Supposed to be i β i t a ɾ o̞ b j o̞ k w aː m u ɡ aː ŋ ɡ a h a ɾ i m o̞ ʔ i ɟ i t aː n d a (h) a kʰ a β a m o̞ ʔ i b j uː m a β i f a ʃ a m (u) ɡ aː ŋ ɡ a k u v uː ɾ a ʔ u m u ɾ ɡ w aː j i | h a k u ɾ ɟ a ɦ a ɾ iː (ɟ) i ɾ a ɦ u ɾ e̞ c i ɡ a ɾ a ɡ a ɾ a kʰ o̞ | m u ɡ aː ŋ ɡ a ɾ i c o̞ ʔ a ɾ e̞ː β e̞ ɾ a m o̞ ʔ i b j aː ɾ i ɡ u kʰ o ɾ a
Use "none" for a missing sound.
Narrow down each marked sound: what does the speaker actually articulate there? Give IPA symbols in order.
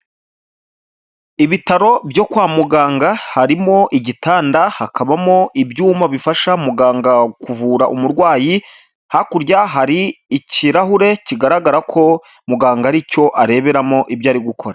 h, u, c

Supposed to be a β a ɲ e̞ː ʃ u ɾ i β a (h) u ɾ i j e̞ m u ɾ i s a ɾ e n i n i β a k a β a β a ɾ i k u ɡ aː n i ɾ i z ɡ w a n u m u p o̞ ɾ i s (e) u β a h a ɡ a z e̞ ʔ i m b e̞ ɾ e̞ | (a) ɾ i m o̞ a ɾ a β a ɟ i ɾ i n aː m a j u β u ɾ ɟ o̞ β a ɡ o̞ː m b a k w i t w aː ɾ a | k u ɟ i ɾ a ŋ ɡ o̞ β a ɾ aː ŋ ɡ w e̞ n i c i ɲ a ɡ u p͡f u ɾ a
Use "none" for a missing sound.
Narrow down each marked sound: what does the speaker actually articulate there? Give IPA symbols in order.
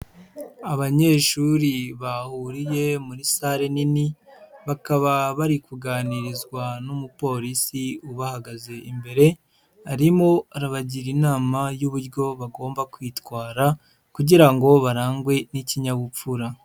h, i, a

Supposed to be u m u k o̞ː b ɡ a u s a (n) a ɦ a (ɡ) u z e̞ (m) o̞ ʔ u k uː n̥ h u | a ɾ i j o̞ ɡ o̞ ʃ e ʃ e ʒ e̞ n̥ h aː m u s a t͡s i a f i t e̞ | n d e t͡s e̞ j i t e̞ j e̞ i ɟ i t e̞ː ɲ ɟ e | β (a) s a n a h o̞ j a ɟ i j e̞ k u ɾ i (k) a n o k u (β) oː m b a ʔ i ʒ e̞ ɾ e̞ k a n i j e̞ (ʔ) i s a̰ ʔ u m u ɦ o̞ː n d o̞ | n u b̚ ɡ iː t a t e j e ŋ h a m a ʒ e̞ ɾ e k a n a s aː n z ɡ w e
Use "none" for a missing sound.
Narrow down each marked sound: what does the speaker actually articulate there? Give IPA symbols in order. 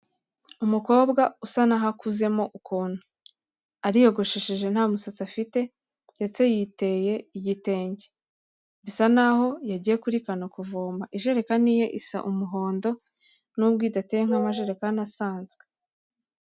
n, k, m, i, k, v, ʔ

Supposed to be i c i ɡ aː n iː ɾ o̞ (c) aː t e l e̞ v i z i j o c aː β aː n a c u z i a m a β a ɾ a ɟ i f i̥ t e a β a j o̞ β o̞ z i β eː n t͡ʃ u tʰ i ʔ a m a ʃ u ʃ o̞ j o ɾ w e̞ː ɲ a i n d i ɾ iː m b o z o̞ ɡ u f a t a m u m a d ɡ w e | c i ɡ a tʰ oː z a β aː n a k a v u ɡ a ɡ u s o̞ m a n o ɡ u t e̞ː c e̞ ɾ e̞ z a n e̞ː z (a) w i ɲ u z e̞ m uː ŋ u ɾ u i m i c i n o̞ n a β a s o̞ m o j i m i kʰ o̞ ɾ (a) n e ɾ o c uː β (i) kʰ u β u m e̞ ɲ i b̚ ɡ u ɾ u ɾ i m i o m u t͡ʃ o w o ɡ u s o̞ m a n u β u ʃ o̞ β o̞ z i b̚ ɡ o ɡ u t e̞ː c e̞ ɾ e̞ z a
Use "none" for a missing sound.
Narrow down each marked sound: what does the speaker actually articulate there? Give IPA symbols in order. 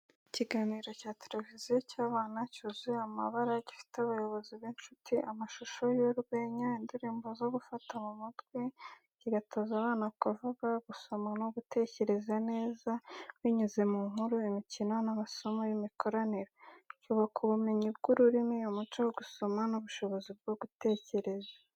c, a, a, a

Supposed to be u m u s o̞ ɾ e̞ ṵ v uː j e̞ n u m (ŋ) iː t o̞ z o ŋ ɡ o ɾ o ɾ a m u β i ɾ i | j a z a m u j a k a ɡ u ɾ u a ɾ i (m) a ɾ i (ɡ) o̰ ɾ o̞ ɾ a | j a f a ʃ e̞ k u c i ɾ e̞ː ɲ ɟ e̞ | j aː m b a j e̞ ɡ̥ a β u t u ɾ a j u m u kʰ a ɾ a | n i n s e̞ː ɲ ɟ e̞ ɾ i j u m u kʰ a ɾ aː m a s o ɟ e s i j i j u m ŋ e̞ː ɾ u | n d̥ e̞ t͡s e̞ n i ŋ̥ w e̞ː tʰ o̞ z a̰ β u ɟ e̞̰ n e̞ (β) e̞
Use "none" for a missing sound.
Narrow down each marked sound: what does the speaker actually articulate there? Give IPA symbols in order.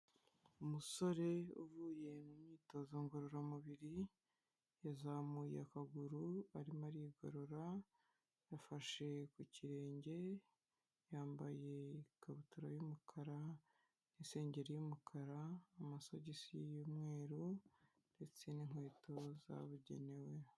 ɲ, m, ɡ, w

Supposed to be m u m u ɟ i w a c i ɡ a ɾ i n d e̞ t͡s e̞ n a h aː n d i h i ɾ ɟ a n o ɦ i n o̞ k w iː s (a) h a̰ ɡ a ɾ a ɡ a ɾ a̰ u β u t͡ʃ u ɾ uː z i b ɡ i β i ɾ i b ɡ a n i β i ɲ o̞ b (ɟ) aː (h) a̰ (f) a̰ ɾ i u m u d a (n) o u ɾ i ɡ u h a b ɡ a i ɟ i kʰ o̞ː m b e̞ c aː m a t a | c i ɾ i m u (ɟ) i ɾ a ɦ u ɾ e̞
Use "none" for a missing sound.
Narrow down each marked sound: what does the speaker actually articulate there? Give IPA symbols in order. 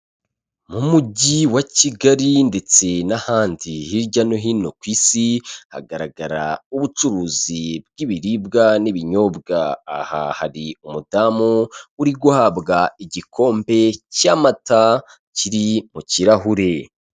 i, ɡ, h, h, m, c

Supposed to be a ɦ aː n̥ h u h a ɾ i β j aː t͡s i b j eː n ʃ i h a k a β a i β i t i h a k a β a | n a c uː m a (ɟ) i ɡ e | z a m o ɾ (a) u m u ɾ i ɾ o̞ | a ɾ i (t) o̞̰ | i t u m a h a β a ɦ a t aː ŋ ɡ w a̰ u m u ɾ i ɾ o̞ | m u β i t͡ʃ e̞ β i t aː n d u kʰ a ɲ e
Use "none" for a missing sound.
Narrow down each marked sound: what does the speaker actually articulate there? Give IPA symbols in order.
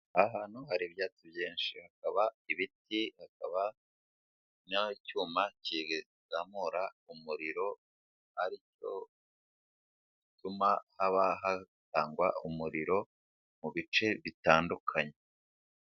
c, a, c

